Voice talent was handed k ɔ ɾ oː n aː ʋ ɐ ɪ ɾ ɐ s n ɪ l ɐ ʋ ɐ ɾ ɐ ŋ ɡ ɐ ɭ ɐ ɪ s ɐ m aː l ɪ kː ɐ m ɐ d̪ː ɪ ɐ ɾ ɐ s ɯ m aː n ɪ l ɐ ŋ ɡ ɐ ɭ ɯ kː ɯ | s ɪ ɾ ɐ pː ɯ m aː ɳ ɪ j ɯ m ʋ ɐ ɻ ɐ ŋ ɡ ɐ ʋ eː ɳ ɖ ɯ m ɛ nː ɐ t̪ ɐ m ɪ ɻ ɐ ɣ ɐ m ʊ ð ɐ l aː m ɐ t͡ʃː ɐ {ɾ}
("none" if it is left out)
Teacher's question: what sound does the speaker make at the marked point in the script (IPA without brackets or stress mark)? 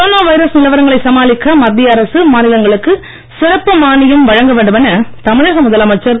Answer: ɾ